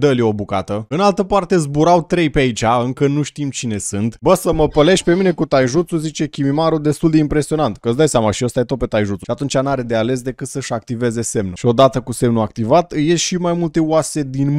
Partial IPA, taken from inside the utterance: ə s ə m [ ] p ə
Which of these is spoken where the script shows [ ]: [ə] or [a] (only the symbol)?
ə